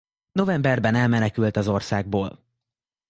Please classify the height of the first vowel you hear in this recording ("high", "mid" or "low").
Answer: mid